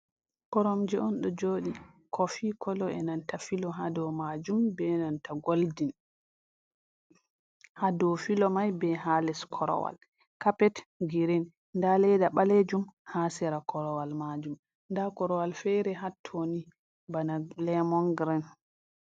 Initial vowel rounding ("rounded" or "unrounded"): rounded